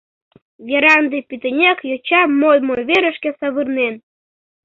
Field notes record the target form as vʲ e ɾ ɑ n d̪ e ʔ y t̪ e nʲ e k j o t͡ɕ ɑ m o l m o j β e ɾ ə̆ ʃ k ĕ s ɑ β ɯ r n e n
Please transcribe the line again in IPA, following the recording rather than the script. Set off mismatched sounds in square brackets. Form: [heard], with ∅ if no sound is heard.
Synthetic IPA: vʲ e ɾ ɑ n d̪ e [p] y t̪ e nʲ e k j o t͡ɕ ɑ m o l m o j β e ɾ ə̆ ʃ k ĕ s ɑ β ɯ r n e n